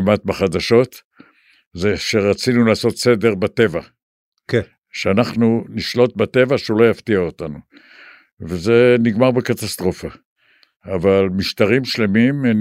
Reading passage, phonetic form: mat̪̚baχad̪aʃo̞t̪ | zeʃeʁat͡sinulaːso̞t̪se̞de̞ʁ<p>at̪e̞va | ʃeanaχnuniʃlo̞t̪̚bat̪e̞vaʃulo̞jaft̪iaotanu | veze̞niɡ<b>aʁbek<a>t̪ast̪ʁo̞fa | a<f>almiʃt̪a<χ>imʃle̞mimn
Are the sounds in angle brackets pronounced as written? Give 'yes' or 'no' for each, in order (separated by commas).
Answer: no, no, yes, no, no